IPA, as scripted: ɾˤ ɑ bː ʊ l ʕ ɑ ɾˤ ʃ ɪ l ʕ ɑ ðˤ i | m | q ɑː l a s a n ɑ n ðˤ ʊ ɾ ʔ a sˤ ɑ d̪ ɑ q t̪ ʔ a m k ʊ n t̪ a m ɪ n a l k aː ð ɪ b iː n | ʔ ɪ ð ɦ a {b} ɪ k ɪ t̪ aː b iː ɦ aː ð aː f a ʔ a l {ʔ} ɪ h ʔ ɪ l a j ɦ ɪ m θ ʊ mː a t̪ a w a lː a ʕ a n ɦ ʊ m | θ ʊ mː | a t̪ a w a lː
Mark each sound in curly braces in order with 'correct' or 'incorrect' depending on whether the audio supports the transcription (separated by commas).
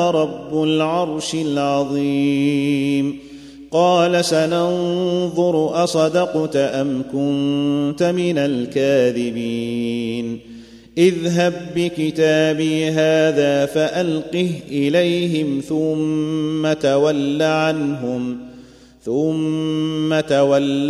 incorrect, incorrect